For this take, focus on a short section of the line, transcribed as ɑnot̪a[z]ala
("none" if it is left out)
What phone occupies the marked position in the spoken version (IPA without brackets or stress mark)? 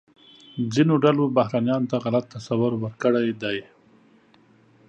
ɣ